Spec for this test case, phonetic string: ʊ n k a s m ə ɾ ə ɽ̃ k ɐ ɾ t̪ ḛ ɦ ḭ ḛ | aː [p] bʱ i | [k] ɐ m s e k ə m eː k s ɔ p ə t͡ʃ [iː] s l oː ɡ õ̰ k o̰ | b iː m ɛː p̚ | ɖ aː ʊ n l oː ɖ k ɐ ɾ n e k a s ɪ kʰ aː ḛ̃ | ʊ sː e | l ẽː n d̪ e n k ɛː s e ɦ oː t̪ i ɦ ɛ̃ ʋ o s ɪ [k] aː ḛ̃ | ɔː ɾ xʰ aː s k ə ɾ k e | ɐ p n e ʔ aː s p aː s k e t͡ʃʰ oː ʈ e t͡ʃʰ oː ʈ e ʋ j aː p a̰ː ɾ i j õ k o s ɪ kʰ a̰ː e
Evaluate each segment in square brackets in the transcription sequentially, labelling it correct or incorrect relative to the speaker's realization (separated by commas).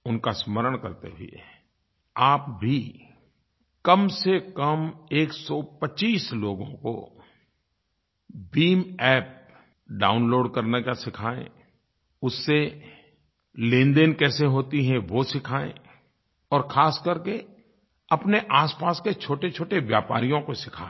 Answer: correct, correct, correct, incorrect